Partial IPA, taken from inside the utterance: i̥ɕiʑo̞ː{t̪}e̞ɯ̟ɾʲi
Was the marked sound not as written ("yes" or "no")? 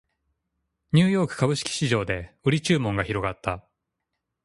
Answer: yes